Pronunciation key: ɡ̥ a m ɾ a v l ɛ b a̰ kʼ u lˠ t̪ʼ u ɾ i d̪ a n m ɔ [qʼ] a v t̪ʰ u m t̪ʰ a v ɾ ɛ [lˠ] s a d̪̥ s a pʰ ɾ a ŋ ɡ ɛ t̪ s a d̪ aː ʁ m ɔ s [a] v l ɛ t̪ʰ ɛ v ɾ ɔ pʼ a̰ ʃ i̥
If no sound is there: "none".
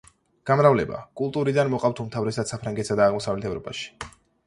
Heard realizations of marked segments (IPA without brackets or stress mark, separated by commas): qʼ, none, a